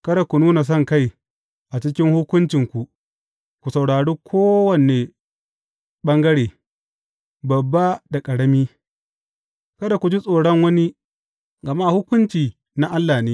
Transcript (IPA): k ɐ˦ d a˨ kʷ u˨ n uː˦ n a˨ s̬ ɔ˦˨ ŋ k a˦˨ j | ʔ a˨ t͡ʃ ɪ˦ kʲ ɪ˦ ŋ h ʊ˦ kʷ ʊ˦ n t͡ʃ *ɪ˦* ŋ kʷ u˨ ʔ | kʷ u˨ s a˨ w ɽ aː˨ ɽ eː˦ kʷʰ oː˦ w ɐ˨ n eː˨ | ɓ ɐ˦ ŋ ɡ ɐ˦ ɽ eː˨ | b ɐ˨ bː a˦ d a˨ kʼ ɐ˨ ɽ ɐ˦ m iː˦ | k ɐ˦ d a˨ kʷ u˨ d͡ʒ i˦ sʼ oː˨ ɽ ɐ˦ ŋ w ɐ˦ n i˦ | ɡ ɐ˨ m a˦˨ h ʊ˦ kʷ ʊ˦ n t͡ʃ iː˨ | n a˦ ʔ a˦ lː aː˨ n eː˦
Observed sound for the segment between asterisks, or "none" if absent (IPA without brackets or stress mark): ɪ˨